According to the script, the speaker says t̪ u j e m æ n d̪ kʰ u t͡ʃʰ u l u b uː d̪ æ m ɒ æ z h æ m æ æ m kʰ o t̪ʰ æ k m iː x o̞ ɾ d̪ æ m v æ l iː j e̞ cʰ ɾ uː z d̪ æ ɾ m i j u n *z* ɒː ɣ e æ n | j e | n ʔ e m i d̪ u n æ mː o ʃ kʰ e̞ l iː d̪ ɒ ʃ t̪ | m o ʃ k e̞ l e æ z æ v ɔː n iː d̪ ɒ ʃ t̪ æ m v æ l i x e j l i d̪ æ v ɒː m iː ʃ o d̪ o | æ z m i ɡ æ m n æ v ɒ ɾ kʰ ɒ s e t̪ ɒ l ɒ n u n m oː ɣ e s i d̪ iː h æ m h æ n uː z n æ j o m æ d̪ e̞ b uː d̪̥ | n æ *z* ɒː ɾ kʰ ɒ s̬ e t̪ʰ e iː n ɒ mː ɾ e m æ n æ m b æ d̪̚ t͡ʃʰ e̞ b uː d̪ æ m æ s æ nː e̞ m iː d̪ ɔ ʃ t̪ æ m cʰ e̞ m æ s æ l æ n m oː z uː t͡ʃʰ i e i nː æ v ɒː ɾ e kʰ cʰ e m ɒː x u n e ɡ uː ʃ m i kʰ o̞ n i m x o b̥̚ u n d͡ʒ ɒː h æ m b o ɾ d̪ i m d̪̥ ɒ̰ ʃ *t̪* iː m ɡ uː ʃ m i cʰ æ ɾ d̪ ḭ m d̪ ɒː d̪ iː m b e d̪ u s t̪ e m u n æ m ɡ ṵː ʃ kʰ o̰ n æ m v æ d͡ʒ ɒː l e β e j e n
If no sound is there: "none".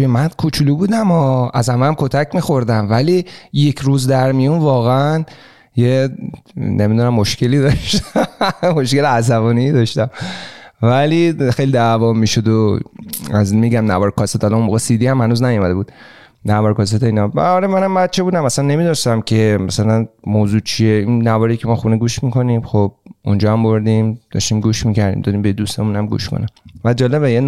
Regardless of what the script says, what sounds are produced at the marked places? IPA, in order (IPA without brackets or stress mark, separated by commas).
v, v, t̪